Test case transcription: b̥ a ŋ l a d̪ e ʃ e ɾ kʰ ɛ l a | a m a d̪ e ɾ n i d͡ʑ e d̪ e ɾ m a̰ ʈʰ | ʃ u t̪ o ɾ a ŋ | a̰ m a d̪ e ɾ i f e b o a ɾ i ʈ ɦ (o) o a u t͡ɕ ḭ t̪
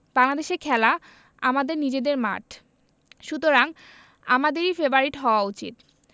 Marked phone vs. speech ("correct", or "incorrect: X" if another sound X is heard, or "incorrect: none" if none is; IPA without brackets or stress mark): incorrect: ɔ